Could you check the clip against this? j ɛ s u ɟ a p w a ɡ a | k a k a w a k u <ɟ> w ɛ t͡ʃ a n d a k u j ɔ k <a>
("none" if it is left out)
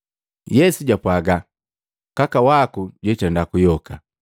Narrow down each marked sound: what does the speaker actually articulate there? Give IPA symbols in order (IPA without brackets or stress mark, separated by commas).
ɟ, a